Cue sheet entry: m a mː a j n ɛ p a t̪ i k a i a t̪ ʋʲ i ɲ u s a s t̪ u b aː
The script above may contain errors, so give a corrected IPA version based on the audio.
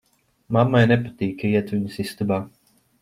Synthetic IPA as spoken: m a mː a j n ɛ p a t̪ iː k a i ɛ t̪ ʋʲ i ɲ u s i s t̪ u b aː